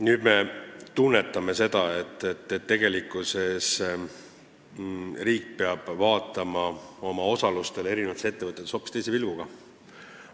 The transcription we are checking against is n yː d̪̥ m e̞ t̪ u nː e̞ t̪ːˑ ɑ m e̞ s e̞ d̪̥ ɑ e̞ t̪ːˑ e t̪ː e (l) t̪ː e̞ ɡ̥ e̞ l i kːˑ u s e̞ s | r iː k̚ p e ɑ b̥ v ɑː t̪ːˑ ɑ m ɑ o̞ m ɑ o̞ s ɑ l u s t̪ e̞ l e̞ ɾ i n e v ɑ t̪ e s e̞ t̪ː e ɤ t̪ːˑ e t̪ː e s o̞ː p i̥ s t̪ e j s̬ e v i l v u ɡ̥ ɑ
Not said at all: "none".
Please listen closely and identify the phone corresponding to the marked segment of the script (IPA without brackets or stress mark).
none